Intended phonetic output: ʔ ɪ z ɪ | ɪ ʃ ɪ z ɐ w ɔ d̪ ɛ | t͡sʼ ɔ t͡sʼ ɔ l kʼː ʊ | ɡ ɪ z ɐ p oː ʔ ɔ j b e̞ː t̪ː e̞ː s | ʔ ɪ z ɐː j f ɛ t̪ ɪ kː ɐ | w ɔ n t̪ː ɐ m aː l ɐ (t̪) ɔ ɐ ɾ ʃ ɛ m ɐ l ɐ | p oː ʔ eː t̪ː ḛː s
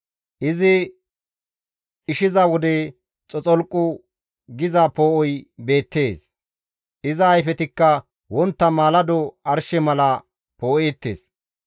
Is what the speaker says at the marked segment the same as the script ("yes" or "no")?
no